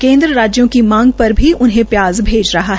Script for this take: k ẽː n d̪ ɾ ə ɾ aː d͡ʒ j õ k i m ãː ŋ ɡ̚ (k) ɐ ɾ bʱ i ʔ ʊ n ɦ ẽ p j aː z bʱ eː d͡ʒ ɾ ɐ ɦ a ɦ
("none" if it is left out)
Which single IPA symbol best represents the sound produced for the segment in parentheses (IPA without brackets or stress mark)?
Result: p